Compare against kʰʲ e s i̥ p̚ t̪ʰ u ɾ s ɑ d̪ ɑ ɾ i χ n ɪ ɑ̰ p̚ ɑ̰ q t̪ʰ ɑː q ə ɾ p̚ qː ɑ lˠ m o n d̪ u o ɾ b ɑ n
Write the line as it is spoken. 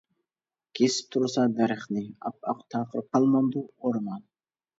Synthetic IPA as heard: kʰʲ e s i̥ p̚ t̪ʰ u ɾ s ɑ d̪ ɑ ɾ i χ n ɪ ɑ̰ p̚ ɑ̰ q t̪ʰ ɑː q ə ɾ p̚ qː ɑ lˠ m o n d̪ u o ɾ m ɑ n